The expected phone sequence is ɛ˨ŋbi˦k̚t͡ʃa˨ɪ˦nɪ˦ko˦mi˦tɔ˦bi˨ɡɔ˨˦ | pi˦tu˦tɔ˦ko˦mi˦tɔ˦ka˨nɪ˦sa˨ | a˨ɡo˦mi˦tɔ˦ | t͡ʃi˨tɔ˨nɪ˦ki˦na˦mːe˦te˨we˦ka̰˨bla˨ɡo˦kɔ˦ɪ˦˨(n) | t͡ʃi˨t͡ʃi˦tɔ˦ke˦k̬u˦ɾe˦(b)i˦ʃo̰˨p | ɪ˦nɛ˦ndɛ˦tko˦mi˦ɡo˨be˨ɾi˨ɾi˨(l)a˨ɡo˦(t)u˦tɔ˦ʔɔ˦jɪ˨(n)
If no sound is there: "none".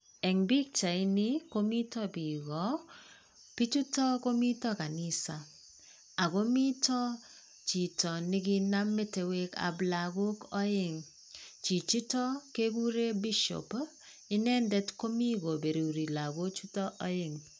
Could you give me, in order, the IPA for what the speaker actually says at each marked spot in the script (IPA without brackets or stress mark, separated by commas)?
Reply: ŋ, b, l, t͡ʃ, ŋ